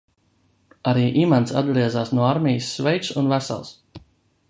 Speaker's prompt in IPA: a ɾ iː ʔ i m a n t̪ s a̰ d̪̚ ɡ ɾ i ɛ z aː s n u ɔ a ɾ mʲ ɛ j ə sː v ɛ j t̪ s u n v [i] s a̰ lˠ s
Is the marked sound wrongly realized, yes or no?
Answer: yes